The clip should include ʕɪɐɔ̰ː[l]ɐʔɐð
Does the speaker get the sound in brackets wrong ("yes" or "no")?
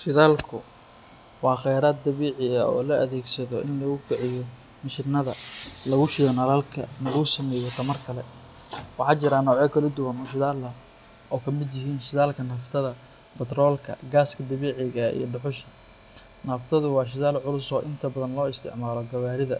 no